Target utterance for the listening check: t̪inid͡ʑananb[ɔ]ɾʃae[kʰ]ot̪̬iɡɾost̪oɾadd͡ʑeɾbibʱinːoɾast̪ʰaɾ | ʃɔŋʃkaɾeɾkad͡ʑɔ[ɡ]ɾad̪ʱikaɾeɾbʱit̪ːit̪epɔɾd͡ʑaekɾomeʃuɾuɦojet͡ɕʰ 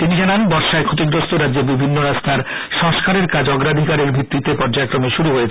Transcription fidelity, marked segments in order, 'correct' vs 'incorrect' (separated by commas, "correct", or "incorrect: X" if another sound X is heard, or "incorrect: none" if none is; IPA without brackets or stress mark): correct, correct, correct